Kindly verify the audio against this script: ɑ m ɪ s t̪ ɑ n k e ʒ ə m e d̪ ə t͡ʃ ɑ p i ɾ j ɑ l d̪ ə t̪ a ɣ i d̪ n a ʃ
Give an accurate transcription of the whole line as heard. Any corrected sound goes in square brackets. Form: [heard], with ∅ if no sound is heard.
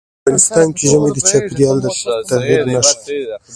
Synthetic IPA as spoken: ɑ [n] ɪ s t̪ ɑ n k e ʒ ə m e d̪ ə t͡ʃ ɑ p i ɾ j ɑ l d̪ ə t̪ a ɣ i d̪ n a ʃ